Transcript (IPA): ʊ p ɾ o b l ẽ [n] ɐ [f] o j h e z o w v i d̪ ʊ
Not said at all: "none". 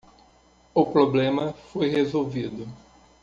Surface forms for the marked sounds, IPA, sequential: m, f

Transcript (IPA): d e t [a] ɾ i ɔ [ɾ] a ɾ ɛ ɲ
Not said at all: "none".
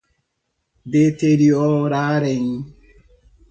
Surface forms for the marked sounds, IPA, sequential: e, ɾ

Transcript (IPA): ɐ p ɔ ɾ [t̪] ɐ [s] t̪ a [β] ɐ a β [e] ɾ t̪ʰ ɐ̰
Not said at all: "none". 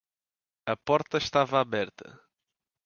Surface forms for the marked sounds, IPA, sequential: t̪, ʃ, v, ɛ

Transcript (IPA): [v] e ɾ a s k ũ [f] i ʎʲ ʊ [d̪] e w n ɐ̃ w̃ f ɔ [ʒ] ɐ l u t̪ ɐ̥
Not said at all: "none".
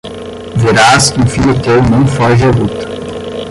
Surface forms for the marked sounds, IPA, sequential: v, f, t̪, ʒ

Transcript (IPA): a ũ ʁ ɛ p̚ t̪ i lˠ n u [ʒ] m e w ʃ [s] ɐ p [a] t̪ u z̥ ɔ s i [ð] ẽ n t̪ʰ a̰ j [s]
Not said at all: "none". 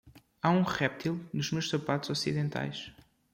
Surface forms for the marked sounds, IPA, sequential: ʒ, s, a, ð, ʃ

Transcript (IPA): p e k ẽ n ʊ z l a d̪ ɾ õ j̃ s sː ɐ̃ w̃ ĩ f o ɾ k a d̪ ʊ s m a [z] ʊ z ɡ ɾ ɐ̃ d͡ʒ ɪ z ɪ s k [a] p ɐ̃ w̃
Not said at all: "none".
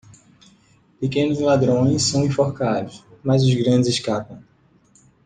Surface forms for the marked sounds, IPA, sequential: z, a

